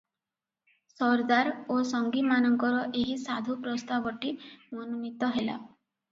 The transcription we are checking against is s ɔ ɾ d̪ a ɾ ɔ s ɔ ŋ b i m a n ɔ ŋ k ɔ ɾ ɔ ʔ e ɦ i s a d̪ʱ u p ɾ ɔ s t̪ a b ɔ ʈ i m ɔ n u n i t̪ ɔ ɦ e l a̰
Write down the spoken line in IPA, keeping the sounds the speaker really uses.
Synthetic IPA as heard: s ɔ ɾ d̪ a ɾ o s ɔ ŋ ɡ i m a n ɔ ŋ k ɔ ɾ ɔ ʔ e ɦ i s a d̪ʱ u p ɾ ɔ s t̪ a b ɔ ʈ i m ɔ n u n i t̪ ɔ ɦ e l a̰